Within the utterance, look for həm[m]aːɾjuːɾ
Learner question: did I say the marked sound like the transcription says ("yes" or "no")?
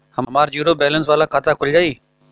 yes